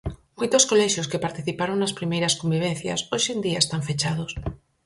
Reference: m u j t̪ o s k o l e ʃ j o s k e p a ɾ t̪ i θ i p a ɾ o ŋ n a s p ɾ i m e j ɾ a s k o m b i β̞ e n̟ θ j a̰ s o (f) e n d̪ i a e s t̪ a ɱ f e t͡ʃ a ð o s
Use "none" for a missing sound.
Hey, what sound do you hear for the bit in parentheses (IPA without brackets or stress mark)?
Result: ʃ